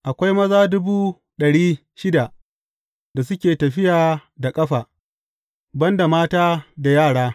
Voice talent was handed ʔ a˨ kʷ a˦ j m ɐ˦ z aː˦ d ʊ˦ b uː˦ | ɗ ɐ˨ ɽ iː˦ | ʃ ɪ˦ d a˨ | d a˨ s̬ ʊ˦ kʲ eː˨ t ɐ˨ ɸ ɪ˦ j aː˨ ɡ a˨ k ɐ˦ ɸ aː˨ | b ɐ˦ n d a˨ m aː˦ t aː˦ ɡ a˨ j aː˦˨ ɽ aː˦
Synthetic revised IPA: ʔ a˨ kʷ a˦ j m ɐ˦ z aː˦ d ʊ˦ b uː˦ | ɗ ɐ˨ ɽ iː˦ | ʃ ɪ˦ d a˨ | d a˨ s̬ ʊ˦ kʲ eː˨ t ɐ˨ ɸ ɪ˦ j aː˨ d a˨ kʼ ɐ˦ ɸ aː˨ | b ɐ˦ n d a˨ m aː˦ t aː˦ d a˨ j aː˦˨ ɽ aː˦